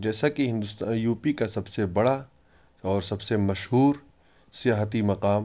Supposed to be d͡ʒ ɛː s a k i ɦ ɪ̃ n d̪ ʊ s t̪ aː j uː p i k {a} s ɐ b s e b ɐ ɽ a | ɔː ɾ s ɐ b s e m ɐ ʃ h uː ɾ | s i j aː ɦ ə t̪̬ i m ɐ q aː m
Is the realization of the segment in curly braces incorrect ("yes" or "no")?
no